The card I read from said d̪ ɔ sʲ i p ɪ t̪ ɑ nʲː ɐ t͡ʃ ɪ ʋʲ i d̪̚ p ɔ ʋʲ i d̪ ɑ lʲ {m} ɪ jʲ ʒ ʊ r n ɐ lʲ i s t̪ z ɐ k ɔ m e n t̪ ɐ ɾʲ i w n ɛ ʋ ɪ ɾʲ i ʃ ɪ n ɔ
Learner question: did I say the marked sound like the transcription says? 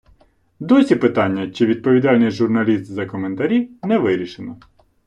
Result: no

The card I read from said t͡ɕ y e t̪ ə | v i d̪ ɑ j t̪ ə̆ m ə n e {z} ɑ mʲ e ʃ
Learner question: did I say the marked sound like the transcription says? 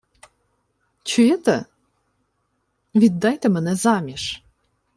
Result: yes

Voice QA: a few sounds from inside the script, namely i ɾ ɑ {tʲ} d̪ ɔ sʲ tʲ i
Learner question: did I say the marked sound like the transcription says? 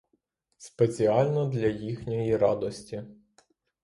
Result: no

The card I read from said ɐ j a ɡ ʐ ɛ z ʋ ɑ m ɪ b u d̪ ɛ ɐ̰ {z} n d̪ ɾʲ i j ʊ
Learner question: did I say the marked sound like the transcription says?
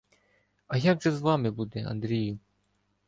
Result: no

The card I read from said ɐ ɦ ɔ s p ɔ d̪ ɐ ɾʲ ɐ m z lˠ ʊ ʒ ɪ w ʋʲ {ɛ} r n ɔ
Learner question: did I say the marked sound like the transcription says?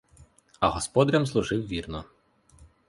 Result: no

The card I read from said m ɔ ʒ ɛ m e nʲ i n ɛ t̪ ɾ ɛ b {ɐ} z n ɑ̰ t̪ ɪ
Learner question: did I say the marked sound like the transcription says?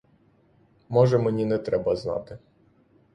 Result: yes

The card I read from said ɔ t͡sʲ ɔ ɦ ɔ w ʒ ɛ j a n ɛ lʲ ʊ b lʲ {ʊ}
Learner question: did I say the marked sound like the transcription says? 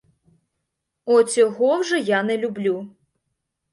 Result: no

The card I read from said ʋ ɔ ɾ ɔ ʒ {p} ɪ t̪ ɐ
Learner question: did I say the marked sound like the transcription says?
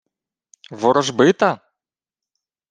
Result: no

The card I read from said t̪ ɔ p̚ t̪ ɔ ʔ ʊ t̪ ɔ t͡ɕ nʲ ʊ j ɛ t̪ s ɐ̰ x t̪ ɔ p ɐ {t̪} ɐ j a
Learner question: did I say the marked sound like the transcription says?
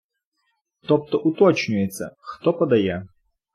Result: no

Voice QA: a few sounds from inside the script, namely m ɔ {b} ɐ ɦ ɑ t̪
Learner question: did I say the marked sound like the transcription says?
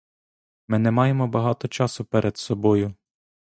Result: yes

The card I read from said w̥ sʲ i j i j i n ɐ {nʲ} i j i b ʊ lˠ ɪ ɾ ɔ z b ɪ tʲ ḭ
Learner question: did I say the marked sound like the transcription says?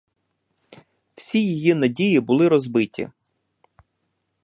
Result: no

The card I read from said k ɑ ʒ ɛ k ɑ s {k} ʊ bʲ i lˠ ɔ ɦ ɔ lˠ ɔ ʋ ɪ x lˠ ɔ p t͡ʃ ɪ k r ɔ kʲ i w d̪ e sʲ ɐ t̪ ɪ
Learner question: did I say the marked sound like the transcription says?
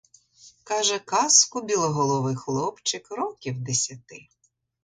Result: yes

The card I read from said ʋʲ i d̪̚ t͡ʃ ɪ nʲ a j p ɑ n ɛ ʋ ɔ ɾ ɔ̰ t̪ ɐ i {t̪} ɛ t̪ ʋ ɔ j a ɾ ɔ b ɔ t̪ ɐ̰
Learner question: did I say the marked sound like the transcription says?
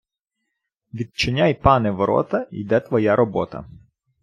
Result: no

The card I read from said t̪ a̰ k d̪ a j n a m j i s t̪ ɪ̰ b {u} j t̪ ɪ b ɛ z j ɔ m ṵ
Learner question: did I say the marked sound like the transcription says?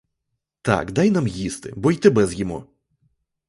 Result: no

